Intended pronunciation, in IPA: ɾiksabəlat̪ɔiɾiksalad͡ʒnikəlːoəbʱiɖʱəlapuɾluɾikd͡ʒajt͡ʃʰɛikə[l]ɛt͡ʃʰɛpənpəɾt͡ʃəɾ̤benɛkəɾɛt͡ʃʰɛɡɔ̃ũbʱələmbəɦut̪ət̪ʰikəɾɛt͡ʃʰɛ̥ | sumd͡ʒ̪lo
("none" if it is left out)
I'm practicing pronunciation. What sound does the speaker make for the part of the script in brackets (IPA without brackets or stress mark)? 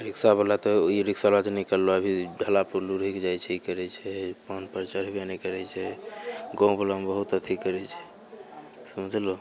ɾ